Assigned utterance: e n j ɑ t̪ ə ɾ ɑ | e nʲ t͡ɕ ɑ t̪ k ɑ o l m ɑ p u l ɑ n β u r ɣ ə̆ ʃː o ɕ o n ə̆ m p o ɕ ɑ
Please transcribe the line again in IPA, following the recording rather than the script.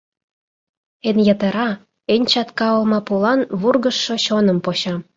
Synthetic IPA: e n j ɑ t̪ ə ɾ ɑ | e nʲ t͡ɕ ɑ t̪ k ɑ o l m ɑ p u l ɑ n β u r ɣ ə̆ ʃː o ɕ o n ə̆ m p o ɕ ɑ